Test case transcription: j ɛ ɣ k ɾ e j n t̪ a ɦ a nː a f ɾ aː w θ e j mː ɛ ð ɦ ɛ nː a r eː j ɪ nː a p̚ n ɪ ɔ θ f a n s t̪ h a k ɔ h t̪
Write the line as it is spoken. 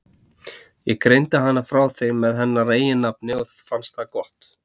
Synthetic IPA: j ɛ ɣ k ɾ e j n t̪ a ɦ a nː a f ɾ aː w θ e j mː ɛ ð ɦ ɛ nː a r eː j ɪ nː a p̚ n ɪ ɔ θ f a n s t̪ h a k ɔ h t̪